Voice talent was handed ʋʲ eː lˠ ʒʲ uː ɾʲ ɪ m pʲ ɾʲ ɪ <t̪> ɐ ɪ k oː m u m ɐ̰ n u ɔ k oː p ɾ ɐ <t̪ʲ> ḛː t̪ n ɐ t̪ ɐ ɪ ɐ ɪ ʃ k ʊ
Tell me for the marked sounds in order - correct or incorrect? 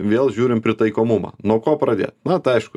correct, incorrect: d̪ʲ

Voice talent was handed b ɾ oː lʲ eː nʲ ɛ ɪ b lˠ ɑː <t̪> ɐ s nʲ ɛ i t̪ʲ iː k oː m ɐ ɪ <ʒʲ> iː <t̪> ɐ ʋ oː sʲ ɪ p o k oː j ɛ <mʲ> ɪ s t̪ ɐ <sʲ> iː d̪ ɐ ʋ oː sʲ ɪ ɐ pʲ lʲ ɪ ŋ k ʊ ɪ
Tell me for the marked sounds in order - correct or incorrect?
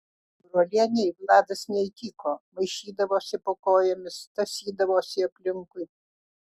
incorrect: d̪, incorrect: ʃʲ, incorrect: d̪, correct, correct

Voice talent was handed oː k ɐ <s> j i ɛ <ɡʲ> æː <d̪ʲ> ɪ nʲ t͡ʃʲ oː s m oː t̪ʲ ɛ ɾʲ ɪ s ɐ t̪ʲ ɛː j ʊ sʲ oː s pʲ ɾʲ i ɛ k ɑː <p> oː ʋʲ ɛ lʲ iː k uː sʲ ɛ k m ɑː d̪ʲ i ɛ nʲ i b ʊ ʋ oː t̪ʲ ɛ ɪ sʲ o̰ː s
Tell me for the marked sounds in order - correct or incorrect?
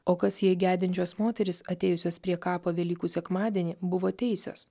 correct, correct, correct, correct

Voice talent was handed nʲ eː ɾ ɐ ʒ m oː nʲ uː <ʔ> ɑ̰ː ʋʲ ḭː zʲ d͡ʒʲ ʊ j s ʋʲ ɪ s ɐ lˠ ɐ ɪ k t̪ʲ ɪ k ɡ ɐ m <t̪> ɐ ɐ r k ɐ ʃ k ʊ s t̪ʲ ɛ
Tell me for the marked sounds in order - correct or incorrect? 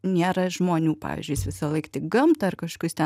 incorrect: p, correct

